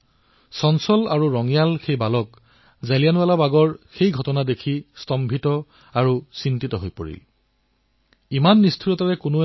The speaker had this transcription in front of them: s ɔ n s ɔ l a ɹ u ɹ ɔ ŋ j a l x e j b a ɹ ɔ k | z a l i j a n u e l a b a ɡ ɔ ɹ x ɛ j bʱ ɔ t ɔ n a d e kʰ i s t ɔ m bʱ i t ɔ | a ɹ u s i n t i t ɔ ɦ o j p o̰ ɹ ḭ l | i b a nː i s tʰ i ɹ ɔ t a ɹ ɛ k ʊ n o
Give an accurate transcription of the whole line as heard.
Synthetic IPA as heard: s ɔ n s ɔ l a ɹ u ɹ ɔ ŋ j a l x e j b a l ɔ k | z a l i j a n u a l a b a ɡ ɔ ɹ x e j ɡʱ ɔ t ɔ n a d e kʰ i s t ɔ m bʱ i t ɔ | a ɹ u s i n t i t ɔ ɦ o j p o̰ ɹ ḭ l | i m a nː i s tʰ i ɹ ɔ t a ɹ ɛ k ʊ n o